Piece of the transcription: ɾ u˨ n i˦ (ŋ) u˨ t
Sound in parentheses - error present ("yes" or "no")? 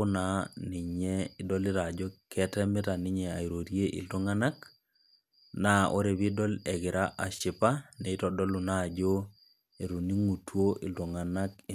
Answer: no